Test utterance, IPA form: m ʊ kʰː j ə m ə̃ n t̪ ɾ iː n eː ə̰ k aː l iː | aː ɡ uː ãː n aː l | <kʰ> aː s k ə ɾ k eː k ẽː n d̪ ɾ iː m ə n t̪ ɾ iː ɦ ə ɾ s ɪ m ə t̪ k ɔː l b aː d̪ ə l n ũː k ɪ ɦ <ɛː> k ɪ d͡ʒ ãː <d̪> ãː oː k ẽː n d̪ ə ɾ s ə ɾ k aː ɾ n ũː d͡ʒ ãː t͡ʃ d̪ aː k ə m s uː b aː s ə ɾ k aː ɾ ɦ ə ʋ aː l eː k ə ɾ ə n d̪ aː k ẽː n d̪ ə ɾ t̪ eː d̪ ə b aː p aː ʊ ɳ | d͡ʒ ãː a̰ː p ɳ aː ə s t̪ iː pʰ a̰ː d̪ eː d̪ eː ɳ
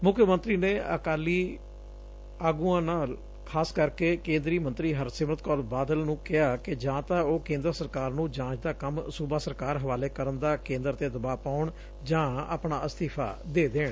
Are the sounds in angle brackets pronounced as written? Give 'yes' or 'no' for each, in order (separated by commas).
yes, no, no